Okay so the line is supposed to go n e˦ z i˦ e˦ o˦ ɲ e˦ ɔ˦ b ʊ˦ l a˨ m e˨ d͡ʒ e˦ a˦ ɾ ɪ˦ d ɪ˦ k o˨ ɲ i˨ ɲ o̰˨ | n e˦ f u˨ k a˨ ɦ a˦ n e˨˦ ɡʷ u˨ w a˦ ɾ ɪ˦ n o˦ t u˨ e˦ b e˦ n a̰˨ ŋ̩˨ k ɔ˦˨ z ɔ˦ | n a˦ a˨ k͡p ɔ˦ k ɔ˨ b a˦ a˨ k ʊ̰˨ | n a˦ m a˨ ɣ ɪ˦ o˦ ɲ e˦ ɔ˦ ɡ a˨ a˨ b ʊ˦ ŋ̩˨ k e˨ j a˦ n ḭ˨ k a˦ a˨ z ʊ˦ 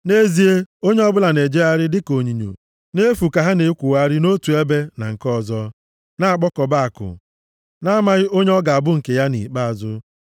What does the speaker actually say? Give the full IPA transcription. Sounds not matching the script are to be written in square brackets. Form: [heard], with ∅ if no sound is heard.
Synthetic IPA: n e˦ z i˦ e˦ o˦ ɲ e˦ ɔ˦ b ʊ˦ l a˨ [n] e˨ d͡ʒ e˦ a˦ ɾ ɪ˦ d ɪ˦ k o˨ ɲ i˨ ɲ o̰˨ | n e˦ f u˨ k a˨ ɦ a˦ n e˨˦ [kʷ] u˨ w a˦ ɾ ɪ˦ n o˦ t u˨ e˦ b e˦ n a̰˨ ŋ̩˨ k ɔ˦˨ z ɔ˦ | n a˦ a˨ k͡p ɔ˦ k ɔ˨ b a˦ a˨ k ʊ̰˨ | n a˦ m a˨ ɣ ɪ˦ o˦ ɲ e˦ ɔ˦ ɡ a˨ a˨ b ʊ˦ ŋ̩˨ k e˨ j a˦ n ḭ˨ [k͡p] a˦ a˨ z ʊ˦

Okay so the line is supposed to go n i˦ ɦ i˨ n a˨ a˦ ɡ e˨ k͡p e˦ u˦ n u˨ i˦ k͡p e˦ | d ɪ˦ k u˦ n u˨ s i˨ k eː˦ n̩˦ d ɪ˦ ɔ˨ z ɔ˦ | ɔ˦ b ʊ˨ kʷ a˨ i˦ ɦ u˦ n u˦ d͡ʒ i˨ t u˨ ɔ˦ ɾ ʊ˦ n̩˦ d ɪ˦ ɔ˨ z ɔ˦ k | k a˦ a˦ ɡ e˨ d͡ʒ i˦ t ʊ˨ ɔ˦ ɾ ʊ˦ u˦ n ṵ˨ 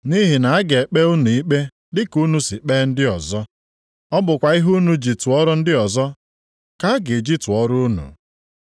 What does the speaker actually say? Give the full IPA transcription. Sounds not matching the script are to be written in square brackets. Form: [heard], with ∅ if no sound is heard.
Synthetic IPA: n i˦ ɦ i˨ n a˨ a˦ ɡ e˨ k͡p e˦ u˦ n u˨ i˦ k͡p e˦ | d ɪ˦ k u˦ n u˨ s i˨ [k͡p] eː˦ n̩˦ d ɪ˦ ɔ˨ z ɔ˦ | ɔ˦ b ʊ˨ kʷ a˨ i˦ ɦ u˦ n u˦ d͡ʒ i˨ t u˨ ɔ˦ ɾ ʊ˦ n̩˦ d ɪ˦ ɔ˨ z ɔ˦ [∅] | k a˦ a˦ ɡ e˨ d͡ʒ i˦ t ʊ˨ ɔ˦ ɾ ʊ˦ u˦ n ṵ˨

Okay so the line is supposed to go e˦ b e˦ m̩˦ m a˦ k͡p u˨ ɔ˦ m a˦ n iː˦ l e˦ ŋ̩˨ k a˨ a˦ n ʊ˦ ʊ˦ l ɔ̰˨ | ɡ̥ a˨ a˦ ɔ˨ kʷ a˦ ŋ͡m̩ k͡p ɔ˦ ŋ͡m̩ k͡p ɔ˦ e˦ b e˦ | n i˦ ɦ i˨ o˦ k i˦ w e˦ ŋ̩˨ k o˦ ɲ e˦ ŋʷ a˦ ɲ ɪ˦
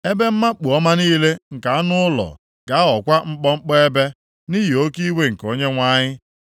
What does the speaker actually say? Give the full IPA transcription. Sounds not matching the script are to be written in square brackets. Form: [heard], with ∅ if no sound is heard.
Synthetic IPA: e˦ b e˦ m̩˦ m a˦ k͡p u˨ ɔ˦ m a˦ n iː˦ l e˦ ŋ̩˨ k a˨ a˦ n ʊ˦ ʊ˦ l ɔ̰˨ | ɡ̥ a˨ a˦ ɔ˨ kʷ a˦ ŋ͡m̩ k͡p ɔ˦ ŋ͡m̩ k͡p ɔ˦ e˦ b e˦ | n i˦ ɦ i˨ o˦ k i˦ w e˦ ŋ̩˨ k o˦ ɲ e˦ ŋʷ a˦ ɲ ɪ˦

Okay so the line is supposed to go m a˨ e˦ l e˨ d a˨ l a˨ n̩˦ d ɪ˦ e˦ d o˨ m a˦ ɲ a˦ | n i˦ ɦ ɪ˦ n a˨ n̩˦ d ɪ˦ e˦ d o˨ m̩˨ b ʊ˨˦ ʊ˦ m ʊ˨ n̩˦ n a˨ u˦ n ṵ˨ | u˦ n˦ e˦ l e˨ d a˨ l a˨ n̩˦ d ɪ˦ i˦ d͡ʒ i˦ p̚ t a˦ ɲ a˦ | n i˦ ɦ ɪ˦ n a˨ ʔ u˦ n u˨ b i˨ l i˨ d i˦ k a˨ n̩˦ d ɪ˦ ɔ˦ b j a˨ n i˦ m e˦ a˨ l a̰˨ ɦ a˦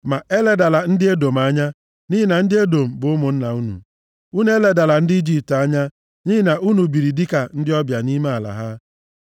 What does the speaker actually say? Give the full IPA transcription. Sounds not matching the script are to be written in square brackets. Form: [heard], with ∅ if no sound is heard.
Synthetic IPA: m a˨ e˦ l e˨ d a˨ l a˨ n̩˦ d ɪ˦ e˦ d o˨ m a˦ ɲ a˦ | n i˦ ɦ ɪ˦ n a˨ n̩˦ d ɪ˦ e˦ d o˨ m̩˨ b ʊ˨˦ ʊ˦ m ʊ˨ n̩˦ n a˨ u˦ n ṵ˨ | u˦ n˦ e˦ l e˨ d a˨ l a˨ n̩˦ d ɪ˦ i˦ d͡ʒ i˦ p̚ t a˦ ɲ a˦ | n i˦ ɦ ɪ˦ n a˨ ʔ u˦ n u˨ b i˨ [ɾ] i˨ d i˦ k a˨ n̩˦ d ɪ˦ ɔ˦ b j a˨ n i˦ m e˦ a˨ l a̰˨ ɦ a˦

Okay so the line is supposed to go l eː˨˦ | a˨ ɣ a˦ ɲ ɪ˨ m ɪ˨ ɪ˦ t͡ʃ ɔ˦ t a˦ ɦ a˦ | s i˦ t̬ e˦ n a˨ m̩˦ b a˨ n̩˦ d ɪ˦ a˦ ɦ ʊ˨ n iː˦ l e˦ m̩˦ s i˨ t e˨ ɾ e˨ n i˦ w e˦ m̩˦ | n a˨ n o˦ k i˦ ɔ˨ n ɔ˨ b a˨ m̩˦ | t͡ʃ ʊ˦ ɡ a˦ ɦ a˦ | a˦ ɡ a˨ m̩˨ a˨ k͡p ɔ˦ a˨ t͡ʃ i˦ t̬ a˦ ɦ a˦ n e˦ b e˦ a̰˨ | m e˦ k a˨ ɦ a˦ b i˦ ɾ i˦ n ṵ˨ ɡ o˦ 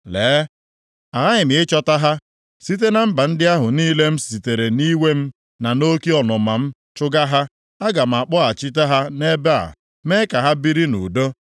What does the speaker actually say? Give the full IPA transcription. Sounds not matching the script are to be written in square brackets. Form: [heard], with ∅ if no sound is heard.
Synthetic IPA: l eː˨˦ | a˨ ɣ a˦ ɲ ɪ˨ m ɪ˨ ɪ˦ t͡ʃ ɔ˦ t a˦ ɦ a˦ | s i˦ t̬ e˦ n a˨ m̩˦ b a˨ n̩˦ d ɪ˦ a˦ ɦ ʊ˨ n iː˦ l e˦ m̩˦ s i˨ t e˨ ɾ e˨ n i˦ w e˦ m̩˦ | n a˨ n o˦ k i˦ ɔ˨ n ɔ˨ [m] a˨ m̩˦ | t͡ʃ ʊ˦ ɡ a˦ ɦ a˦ | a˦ ɡ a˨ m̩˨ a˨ k͡p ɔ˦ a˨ t͡ʃ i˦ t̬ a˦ ɦ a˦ n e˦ b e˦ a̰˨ | m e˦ k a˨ ɦ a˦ b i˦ ɾ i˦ n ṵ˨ [d] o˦

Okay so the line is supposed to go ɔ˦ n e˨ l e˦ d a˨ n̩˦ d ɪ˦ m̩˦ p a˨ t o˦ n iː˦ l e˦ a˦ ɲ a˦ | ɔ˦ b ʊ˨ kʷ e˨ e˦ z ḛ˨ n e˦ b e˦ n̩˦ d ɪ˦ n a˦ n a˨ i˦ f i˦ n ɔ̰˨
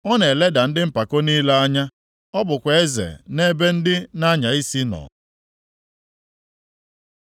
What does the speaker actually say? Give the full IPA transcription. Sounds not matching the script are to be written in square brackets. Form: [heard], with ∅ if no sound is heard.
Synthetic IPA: ɔ˦ n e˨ l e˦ d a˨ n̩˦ d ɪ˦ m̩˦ p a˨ [k] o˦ n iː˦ l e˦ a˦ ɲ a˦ | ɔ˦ b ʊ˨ kʷ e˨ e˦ z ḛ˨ n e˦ b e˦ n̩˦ d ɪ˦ n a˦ [ɲ] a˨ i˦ [s] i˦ n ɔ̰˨

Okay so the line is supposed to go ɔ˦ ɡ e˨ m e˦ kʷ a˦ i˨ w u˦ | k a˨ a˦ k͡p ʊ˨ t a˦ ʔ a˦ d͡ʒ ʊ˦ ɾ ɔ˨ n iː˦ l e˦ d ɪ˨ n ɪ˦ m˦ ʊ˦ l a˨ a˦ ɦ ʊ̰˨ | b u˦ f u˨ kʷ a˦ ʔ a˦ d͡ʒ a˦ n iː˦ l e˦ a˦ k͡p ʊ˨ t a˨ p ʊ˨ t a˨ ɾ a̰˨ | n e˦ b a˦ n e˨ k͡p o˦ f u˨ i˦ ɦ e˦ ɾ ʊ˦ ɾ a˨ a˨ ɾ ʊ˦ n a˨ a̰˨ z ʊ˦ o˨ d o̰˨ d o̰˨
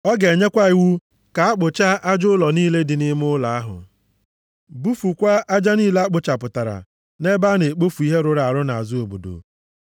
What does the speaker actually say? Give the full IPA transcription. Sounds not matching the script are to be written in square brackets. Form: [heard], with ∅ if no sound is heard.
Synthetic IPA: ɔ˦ ɡ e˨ [ɲ] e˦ kʷ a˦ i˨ w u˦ | k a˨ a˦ k͡p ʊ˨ [t͡ʃ] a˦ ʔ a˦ d͡ʒ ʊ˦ [l] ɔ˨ n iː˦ l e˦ d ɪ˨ n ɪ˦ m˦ ʊ˦ l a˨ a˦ ɦ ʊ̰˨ | b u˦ f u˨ kʷ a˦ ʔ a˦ d͡ʒ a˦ n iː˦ l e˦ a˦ k͡p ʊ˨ [t͡ʃ] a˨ p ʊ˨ t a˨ ɾ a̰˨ | n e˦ b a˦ n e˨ k͡p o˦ f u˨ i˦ ɦ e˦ ɾ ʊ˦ ɾ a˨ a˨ ɾ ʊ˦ n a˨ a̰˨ z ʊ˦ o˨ [b] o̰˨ d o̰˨

